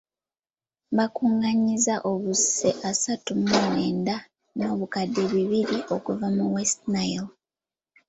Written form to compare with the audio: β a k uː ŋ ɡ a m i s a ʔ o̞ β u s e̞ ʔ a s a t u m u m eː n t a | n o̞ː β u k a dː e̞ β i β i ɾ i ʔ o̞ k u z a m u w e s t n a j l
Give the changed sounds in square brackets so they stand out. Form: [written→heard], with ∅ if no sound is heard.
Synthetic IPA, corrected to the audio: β a k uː ŋ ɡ a [m→ɲ] i [s→z] a ʔ o̞ β u s e̞ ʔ a s a t u m u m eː n [t→d] a | n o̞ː β u k a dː e̞ β i β i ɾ i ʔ o̞ k u [z→v] a m u w e s t n a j l